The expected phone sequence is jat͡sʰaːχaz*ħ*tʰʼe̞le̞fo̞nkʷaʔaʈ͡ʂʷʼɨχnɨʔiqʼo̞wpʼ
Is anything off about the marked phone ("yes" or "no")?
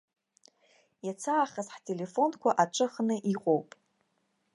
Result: no